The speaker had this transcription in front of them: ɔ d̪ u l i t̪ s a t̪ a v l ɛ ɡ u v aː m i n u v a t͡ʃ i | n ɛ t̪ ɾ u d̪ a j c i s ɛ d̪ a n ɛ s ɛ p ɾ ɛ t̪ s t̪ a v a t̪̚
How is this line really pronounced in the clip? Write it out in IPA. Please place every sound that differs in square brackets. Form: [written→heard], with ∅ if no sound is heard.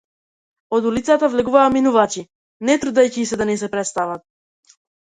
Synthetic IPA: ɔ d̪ u l i t̪ s a t̪ a v l ɛ ɡ u v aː m i n u v a t͡ʃ i | n ɛ t̪ ɾ u d̪ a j c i s ɛ d̪ a n ɛ s ɛ p ɾ ɛ t̪ s t̪ a v a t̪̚